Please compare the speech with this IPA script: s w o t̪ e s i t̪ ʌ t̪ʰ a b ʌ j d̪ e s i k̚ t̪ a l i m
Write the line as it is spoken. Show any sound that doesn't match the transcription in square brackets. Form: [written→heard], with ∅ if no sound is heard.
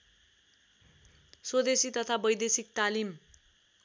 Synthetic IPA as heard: s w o [t̪→d̪] e s i t̪ ʌ t̪ʰ a b ʌ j d̪ e s i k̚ t̪ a l i m